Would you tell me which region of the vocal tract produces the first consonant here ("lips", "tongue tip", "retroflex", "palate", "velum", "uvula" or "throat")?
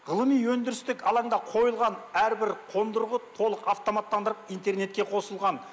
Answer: uvula